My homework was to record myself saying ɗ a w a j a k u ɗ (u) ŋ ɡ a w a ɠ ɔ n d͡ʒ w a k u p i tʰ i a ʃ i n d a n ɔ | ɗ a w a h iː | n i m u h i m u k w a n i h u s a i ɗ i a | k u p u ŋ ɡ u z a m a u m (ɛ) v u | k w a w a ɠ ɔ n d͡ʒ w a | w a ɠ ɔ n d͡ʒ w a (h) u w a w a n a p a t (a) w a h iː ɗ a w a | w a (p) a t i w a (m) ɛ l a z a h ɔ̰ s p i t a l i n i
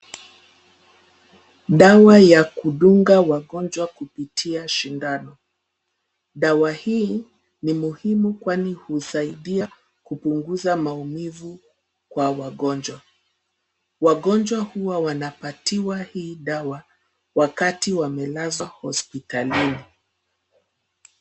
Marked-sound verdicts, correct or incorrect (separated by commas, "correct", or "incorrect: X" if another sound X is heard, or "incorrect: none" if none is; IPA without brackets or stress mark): correct, incorrect: i, correct, incorrect: i, incorrect: k, correct